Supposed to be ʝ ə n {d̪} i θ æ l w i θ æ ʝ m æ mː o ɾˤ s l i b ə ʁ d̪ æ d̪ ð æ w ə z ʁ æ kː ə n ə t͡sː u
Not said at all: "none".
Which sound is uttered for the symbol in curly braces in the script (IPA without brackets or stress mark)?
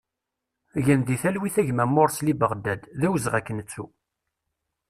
d̪